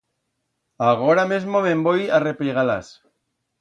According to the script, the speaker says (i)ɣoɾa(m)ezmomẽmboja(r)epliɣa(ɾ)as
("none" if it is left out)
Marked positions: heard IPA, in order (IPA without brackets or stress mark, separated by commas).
a, m, r, l